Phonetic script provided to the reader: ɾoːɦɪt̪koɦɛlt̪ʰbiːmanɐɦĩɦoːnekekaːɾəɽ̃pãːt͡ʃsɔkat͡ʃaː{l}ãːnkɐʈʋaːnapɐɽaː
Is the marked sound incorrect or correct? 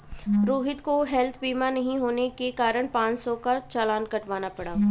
correct